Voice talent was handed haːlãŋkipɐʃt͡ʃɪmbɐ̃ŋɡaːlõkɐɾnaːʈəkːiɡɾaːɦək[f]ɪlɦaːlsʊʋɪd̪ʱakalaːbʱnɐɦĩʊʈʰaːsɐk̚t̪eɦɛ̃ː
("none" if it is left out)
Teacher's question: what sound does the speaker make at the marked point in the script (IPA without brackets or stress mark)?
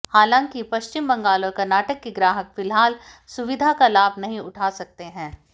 f